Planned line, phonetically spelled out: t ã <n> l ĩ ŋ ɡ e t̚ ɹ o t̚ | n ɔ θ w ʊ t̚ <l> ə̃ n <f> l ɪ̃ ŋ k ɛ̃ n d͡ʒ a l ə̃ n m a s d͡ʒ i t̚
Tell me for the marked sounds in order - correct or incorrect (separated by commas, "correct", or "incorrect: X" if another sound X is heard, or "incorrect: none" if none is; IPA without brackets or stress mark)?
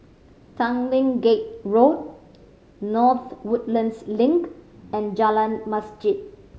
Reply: incorrect: ŋ, correct, incorrect: s